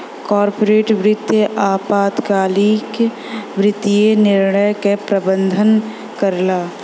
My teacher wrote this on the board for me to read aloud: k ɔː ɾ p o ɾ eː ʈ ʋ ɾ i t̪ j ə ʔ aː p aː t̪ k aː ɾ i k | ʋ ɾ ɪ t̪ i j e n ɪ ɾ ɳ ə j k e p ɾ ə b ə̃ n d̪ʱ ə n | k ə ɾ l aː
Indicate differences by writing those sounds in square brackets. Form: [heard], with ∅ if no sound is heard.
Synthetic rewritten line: k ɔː ɾ p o ɾ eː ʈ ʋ ɾ [ɪ] t̪ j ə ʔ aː p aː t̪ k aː [l] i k | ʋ ɾ ɪ t̪ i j e n ɪ ɾ ɳ ə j k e p ɾ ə b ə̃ n d̪ʱ ə n | k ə ɾ l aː